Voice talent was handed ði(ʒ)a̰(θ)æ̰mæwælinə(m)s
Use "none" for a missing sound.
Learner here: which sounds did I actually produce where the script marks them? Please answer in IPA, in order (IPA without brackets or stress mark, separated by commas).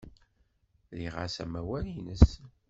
ʁ, s, none